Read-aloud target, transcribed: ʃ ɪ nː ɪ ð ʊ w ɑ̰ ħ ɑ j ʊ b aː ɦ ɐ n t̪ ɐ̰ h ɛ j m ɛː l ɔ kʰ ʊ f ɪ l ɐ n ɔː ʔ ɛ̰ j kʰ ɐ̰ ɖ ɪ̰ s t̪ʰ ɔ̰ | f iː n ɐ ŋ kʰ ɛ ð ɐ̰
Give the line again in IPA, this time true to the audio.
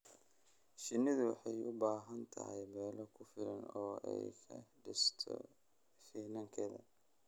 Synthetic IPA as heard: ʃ ɪ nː ɪ ð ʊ w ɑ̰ ħ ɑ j ʊ b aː ɦ ɐ n t̪ʰ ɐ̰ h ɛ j m ɛː l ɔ kʰ ʊ f ɪ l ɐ n ɔː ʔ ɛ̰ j kʰ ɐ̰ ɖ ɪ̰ s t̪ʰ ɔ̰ | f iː n ɐ ŋ kʰ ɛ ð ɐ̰

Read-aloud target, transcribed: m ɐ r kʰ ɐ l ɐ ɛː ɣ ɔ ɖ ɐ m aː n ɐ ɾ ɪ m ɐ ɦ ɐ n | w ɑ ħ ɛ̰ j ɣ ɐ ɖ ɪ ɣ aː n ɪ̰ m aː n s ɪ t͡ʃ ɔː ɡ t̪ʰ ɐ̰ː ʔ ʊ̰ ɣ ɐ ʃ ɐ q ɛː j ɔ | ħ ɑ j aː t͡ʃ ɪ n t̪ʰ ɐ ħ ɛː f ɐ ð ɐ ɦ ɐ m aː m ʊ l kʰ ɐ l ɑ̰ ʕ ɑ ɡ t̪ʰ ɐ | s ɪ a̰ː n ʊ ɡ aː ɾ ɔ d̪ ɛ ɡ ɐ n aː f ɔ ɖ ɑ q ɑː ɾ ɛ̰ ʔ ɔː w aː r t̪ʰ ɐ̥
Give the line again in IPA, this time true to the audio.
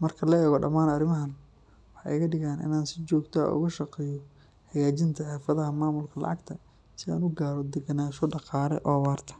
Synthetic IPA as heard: m ɐ r kʰ ɐ l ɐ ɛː ɣ ɔ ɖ ɐ m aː n ɐ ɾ ɪ m ɐ ɦ ɐ n | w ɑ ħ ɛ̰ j ɣ ɐ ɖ ɪ ɣ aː n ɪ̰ n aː n s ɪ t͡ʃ ɔː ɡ t̪ʰ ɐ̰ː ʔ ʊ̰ ɣ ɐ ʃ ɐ q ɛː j ɔ | ħ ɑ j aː t͡ʃ ɪ n t̪ʰ ɐ ħ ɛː f ɐ ð ɐ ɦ ɐ m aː m ʊ l kʰ ɐ l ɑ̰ ʕ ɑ ɡ t̪ʰ ɐ | s ɪ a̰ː n ʊ ɡ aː ɾ ɔ d̪ ɛ ɡ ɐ n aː ʃ ɔ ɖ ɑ q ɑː ɾ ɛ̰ ʔ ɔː w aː r t̪ʰ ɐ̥

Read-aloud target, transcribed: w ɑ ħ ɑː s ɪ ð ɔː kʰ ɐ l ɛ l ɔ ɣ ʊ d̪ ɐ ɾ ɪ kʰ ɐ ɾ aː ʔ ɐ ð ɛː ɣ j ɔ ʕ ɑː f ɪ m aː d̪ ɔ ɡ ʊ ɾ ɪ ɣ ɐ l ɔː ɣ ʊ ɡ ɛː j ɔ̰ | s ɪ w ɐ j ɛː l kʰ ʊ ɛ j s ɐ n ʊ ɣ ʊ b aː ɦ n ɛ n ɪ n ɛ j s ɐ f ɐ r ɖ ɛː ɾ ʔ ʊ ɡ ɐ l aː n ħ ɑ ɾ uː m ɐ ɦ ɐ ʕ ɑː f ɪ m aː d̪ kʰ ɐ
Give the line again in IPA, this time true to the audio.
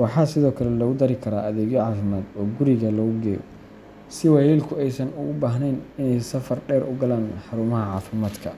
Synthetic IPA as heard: w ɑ ħ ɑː s ɪ ð ɔː kʰ ɐ l ɛ l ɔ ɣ ʊ d̪ ɐ ɾ ɪ kʰ ɐ ɾ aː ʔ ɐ ð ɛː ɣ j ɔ ʕ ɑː f ɪ m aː d̪ ɔː ɡ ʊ ɾ ɪ ɣ ɐ l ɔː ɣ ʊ ɡ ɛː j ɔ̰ | s ɪ w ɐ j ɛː l kʰ ʊ ɛ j s ɐ n ʊ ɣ ʊ b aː ɦ n ɛ n ɪ n ɛ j s ɐ f ɐ r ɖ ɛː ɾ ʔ ʊ ɡ ɐ l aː n ħ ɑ ɾ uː m ɐ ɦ ɐ ʕ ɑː f ɪ m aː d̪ kʰ ɐ

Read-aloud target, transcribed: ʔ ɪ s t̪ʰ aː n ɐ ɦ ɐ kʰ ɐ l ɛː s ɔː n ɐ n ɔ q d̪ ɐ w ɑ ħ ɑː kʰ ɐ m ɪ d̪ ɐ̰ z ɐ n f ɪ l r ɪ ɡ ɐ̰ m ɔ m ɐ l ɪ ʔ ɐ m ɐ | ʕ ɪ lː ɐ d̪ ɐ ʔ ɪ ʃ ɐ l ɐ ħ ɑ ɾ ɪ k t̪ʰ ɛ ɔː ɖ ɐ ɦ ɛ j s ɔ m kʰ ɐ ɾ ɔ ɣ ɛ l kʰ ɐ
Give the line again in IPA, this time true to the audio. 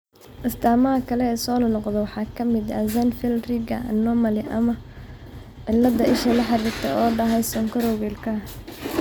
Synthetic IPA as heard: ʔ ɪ s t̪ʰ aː m ɐ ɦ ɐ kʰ ɐ l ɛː s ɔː n ɐ n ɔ q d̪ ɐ w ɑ ħ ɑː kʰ ɐ m ɪ d̪ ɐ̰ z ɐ n f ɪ l r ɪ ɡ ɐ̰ n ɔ m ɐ l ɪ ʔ ɐ m ɐ | ʕ ɪ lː ɐ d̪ ɐ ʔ ɪ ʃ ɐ l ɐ ħ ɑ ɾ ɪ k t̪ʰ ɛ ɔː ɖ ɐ ɦ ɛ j s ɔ ŋ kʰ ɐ ɾ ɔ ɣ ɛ l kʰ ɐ

